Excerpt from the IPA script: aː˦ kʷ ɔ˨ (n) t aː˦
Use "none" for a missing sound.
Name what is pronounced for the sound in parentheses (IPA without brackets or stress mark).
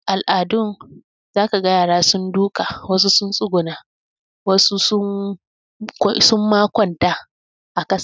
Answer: n